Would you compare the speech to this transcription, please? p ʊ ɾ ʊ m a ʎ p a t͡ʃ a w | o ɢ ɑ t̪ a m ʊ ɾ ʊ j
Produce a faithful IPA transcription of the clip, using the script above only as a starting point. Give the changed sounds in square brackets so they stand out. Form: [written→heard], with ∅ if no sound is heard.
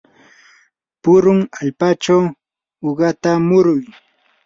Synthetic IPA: p ʊ ɾ ʊ [m→ŋ] a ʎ p a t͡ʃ a w | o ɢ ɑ t̪ a m ʊ ɾ ʊ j